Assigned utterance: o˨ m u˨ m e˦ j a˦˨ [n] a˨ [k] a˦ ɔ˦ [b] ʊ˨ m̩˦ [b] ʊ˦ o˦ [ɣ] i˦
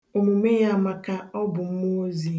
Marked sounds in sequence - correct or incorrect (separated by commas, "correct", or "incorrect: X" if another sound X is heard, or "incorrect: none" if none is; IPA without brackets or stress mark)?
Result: incorrect: m, correct, correct, incorrect: m, incorrect: z